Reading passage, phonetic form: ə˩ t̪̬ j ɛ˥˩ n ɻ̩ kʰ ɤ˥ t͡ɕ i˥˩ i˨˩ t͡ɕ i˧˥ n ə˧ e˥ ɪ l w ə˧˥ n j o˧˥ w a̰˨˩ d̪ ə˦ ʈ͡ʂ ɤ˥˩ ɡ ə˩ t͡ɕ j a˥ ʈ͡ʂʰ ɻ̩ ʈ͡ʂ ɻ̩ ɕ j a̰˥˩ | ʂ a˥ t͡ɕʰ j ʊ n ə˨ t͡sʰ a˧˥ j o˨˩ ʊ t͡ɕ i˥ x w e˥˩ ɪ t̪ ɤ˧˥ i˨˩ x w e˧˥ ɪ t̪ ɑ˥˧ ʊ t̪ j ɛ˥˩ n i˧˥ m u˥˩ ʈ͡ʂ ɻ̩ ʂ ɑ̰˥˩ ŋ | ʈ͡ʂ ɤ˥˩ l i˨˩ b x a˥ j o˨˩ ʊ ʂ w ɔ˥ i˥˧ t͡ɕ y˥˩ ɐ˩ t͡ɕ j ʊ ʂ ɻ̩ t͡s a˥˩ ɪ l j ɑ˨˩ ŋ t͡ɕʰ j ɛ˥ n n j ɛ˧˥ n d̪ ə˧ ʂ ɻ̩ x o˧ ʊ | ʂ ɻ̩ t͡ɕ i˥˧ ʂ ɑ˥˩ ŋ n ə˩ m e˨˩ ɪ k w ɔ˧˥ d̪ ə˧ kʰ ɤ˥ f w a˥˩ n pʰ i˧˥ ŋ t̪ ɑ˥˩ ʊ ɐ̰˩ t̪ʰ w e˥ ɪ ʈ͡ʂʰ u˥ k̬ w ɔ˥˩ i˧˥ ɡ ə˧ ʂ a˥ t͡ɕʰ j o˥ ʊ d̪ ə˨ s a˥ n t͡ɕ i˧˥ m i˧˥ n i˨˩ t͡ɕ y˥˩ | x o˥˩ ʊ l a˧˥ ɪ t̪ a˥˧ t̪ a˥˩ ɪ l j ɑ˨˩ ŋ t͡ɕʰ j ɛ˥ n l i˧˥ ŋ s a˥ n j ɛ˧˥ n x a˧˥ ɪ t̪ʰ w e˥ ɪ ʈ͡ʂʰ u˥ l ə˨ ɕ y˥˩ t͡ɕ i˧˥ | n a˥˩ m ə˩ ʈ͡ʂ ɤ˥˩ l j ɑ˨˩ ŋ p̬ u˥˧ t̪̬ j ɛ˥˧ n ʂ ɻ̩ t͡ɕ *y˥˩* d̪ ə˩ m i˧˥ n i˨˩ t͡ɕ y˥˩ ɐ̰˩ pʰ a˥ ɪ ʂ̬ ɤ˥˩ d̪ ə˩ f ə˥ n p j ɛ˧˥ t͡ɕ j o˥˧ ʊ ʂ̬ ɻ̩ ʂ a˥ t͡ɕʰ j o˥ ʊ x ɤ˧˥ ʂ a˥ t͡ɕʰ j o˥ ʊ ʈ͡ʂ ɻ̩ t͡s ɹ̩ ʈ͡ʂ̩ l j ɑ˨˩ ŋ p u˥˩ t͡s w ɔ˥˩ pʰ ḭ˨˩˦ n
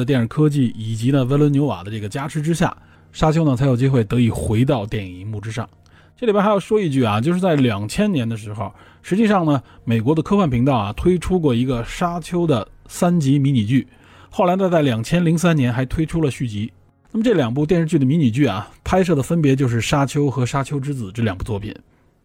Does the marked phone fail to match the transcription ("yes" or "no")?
no